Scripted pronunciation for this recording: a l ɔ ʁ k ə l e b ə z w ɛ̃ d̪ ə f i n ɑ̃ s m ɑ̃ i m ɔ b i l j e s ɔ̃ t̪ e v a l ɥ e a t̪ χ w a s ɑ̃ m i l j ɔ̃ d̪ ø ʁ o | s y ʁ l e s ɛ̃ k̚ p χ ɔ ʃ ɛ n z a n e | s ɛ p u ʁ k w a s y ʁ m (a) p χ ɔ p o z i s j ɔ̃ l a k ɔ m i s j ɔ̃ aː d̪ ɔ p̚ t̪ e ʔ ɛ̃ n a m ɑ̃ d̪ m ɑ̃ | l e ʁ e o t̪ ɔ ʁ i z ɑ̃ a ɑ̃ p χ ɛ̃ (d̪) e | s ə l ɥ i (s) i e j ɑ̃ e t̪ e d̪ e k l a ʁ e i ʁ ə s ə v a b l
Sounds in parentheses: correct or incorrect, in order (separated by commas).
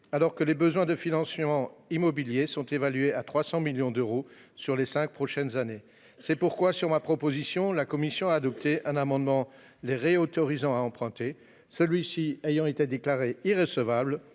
correct, incorrect, correct